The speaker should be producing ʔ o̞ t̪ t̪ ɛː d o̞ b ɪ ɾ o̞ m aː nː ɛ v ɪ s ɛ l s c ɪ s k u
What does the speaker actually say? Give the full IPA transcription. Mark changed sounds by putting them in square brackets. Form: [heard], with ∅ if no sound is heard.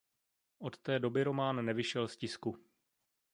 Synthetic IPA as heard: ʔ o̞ t̪ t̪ ɛː d o̞ b ɪ ɾ o̞ m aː nː ɛ v ɪ [ʃ] ɛ l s c ɪ s k u